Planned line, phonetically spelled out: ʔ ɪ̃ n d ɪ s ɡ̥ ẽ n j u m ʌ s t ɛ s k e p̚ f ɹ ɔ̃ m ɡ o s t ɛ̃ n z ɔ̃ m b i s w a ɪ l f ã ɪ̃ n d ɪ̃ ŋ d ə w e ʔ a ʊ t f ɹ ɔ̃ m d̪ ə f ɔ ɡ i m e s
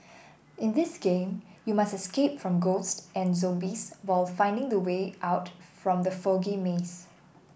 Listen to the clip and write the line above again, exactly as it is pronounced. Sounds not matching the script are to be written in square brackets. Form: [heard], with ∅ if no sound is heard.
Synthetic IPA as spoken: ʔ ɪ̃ n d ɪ s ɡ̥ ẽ [m] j u m [a] s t ɛ s k e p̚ f ɹ ɔ̃ m ɡ o s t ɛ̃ n z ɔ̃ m b i s w a ɪ l f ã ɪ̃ n d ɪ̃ ŋ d ə w e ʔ a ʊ t f ɹ ɔ̃ m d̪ ə f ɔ ɡ i m e s